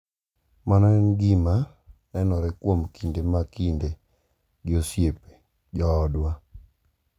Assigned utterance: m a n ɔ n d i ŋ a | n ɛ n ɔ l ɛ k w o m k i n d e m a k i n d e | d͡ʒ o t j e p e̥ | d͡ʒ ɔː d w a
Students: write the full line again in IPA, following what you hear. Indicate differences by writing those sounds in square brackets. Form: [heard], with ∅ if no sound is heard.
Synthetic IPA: m a n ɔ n [ɡ] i [m] a | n ɛ n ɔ [ɾ] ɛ k w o m k i n d e m a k i n d e | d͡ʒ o [s] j e p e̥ | d͡ʒ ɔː d w a